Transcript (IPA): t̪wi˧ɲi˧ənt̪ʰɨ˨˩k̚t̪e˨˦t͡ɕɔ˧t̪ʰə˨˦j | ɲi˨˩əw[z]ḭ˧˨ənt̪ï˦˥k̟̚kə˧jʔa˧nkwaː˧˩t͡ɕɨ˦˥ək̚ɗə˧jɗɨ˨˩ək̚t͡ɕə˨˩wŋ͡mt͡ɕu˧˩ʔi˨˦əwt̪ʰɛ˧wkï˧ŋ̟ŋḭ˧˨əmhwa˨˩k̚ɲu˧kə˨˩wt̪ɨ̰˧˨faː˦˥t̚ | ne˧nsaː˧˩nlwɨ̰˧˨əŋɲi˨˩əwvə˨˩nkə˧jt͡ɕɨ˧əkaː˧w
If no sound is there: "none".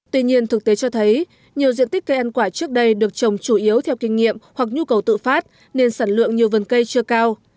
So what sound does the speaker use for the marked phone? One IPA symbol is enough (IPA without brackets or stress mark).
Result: z